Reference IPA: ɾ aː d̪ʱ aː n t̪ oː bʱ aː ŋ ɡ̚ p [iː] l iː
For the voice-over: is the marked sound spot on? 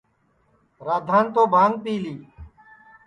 yes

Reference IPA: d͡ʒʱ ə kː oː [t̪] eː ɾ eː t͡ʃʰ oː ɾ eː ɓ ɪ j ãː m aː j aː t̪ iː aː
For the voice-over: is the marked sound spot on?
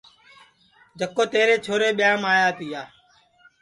yes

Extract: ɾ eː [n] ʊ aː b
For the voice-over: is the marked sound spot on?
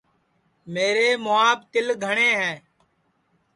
no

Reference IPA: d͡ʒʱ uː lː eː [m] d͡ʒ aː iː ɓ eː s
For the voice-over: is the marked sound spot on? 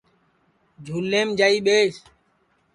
yes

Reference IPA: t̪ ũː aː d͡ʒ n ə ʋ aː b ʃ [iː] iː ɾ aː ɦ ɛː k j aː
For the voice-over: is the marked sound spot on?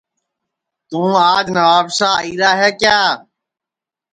no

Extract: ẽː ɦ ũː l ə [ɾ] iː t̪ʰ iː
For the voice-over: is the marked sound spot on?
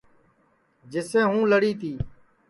no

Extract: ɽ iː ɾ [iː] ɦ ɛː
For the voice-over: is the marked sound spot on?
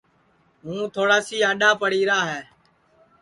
no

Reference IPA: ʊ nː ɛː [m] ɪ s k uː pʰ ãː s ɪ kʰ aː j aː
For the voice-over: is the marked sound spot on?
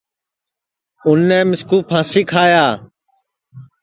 yes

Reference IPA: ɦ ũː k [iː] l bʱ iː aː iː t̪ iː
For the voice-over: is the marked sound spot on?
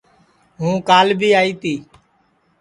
no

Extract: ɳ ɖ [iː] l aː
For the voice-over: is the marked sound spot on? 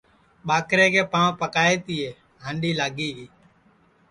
yes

